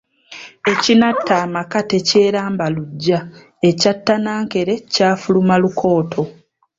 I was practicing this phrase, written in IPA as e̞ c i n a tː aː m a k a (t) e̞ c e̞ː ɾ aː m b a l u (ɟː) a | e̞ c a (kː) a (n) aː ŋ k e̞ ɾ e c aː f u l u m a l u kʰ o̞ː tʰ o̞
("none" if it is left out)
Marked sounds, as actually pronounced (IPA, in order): t, ɟː, tː, n

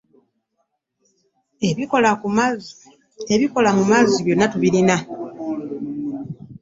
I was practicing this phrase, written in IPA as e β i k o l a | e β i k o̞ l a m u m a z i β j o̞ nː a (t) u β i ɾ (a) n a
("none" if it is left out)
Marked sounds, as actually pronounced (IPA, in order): t, i

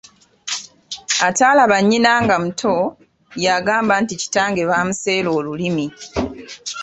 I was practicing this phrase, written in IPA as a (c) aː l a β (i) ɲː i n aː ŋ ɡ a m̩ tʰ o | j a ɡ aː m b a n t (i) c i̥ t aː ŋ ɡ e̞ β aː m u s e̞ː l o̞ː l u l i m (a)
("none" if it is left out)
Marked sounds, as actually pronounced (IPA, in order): t, a, i, i

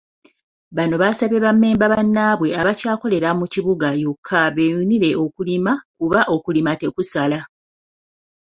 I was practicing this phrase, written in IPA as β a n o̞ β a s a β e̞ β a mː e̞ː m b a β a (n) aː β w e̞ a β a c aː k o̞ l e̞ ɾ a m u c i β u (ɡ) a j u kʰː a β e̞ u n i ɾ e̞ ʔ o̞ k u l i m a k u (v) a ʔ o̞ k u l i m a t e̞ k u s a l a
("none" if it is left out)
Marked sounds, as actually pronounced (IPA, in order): nː, ɡ, β

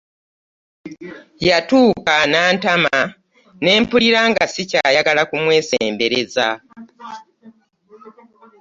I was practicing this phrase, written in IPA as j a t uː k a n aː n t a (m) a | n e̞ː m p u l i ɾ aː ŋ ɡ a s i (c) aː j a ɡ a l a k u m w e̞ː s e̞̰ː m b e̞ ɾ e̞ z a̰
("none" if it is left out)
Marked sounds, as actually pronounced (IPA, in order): m, c

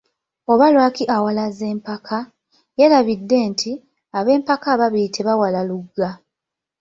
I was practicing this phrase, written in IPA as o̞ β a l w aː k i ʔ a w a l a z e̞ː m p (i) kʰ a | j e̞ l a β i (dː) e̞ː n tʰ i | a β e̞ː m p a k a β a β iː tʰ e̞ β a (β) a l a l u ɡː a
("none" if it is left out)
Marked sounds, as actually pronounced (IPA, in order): a, dː, w

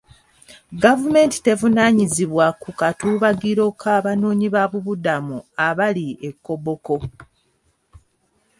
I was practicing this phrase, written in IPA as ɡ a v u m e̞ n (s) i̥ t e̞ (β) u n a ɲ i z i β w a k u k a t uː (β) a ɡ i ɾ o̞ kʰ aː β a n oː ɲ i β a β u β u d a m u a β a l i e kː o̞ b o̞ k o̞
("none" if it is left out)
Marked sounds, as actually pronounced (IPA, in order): t, v, β

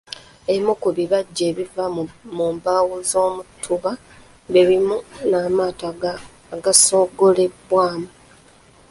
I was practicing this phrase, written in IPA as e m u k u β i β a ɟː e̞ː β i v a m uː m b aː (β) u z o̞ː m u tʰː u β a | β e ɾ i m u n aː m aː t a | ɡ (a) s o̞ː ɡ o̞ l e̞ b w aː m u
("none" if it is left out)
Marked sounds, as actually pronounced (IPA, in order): w, a

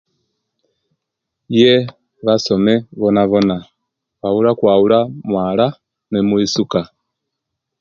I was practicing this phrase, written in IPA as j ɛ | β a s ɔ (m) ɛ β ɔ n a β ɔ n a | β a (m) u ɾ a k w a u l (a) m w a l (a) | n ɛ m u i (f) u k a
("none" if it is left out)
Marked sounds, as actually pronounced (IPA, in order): m, none, a, a, s

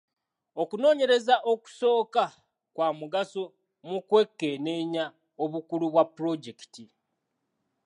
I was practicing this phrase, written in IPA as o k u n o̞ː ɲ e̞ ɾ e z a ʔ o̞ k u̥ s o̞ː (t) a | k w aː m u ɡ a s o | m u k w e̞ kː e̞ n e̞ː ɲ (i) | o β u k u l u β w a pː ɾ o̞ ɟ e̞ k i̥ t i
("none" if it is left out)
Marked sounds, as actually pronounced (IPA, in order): k, a

